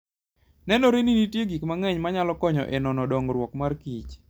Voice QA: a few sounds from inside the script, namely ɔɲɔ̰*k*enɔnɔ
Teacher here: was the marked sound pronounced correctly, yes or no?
no